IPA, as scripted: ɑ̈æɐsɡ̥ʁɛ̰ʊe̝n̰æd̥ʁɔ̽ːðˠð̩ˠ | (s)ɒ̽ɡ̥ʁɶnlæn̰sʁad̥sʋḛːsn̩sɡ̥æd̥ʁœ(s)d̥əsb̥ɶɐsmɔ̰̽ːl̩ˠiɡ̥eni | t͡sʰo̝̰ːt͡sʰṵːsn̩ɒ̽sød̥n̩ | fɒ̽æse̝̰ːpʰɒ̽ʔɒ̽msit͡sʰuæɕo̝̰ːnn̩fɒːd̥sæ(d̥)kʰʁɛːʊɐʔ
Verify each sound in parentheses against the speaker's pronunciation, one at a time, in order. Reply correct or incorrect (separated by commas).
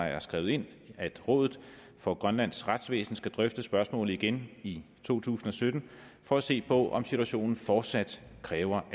incorrect, incorrect, correct